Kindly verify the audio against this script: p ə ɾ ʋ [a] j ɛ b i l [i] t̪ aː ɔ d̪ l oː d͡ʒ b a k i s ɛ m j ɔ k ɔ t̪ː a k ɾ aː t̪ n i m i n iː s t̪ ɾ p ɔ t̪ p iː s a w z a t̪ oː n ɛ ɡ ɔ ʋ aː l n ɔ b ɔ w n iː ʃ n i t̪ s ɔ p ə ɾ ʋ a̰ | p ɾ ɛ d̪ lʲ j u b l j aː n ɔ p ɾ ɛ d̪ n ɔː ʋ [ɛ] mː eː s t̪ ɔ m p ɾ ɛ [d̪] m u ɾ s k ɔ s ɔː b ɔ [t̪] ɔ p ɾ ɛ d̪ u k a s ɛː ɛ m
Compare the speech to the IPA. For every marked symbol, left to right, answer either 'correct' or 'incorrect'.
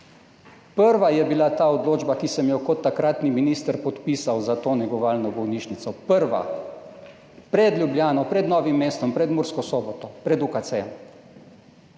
correct, incorrect, incorrect, correct, correct

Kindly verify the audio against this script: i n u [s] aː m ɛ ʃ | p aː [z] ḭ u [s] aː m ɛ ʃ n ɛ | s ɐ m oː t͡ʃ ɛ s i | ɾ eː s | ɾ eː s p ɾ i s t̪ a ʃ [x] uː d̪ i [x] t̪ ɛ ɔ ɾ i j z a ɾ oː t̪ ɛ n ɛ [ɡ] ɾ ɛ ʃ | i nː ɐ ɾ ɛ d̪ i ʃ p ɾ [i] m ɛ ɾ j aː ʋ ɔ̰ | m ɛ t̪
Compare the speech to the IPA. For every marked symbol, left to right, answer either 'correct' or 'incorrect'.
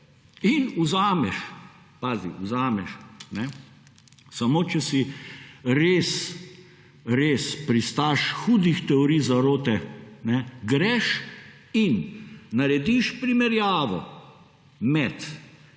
incorrect, correct, incorrect, correct, correct, correct, correct

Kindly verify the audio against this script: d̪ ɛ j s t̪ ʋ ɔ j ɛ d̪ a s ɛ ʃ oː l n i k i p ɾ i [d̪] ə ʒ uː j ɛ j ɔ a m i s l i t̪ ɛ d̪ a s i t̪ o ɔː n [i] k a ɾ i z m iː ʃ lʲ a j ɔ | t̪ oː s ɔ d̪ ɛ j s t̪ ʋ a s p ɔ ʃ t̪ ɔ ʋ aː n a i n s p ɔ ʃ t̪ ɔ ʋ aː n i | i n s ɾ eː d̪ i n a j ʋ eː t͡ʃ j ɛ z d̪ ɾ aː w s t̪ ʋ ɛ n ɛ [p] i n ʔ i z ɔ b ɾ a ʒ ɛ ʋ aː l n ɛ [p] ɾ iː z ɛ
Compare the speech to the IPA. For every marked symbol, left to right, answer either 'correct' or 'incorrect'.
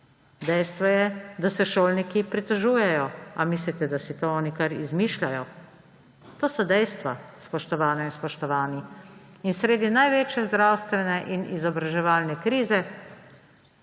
incorrect, correct, incorrect, incorrect

